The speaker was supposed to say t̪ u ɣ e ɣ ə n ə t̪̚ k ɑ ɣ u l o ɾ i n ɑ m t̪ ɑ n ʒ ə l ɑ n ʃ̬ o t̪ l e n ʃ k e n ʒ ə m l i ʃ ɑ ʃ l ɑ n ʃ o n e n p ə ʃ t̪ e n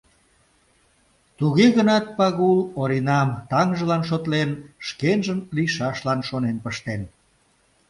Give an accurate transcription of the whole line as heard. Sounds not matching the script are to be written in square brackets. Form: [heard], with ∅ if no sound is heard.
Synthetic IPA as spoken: t̪ u ɣ e ɣ ə n [ɑ] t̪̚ [p] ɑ ɣ u l o ɾ i n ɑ m t̪ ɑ [ŋ] ʒ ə l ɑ n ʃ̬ o t̪ l e n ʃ k e n ʒ ə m l i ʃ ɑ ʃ l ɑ n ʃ o n e n p ə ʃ t̪ e n